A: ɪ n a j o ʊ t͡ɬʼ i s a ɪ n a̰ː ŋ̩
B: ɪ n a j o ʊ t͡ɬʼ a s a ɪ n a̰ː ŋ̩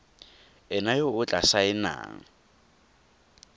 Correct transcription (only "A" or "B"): B